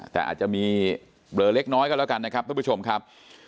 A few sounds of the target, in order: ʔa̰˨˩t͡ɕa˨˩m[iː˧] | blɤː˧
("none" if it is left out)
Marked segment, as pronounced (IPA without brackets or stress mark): iː˧